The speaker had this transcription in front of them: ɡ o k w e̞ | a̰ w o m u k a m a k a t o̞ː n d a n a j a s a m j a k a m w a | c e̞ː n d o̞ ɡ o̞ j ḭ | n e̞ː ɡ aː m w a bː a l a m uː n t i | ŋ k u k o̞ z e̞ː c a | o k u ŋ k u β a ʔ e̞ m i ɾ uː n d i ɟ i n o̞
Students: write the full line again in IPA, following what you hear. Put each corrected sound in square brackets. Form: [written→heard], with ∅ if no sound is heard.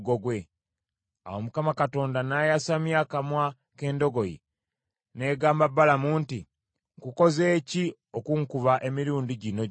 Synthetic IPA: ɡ o [k→ɡ] w e̞ | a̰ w o m u k a m a k a t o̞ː n d a n a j a s a m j a k a m w a | [c→k] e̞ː n d o̞ ɡ o̞ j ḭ | n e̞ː ɡ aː m [w→b] a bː a l a m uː n t i | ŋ k u k o̞ z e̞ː c [a→i] | o k u ŋ k u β a ʔ e̞ m i ɾ uː n d i ɟ i n o̞